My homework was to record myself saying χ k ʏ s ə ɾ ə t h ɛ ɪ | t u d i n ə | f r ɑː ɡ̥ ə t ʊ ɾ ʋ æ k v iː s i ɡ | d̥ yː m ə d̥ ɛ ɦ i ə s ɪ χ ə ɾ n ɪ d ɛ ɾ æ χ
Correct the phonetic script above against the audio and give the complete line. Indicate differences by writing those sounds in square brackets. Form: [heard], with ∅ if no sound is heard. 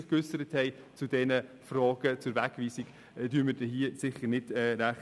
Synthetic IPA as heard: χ k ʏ s ə ɾ ə t h ɛ ɪ | [t͡s] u d [ɛ] n ə | f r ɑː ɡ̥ ə [t͡s] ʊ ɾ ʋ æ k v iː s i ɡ | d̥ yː m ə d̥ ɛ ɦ i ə s ɪ χ ə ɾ n ɪ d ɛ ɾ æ χ

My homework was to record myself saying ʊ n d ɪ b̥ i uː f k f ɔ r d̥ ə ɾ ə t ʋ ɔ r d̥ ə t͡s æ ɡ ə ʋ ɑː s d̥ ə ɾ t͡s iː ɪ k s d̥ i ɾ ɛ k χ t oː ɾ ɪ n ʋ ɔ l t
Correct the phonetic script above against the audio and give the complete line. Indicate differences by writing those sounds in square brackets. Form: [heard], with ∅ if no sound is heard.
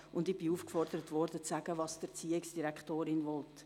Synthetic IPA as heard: ʊ n d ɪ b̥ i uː f k f ɔ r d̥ ə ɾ ə t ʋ ɔ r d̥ ə t͡s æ ɡ ə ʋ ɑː s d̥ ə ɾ t͡s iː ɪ k s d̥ i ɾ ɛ k χ t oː ɾ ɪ n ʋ ɔ l t

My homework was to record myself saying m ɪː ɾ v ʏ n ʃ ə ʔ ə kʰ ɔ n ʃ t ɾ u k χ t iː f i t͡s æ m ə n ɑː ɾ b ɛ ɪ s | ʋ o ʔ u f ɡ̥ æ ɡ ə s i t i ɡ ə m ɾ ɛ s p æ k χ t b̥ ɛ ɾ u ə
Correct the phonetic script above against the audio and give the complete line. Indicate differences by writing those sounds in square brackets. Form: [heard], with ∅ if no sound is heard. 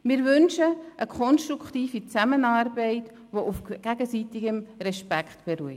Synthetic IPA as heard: m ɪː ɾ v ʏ n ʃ ə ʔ ə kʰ ɔ n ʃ t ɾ u k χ t iː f i t͡s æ m ə n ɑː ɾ b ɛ ɪ [t] | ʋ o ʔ u f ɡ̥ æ ɡ ə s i t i ɡ ə m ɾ ɛ [ʃ] p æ k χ t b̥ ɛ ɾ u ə

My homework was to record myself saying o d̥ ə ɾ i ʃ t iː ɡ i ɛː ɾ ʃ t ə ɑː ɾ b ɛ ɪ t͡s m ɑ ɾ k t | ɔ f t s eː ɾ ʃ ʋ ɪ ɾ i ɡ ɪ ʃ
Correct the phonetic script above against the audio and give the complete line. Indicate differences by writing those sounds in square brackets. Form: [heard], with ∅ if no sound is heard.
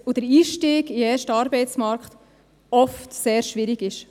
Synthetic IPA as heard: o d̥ ə ɾ [iː] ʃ t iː ɡ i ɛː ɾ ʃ t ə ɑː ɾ b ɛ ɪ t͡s m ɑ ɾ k t | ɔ f t s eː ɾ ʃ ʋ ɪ ɾ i ɡ ɪ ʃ

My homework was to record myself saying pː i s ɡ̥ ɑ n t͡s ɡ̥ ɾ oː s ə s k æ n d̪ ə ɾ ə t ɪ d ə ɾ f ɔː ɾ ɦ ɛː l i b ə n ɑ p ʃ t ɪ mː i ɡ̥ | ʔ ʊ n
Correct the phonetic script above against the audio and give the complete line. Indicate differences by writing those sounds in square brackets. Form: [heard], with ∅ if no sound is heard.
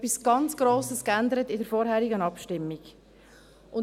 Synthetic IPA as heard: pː i s ɡ̥ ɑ n t͡s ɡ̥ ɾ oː s ə s k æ n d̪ ə ɾ ə t ɪ d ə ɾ f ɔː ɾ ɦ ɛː [ɾ] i [ɡ] ə n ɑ p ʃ t ɪ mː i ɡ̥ | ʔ ʊ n

